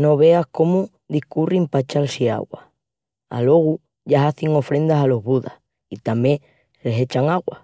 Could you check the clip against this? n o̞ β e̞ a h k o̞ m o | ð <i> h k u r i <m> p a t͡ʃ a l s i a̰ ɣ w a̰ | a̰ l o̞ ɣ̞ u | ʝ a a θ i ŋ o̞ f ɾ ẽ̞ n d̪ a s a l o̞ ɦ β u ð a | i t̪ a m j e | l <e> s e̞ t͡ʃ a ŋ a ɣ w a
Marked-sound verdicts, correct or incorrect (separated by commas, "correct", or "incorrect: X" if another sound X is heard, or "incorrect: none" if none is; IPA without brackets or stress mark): correct, correct, correct